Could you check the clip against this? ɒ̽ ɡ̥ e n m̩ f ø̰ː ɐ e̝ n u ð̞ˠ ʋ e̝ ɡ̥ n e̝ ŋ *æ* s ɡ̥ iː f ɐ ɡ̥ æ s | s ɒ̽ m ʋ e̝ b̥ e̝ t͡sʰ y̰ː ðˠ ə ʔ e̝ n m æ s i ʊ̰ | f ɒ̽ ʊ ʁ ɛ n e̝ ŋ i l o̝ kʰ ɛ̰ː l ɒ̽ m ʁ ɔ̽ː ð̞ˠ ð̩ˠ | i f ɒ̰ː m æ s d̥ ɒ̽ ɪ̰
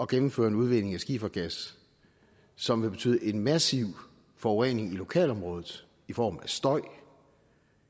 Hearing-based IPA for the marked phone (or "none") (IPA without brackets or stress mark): æ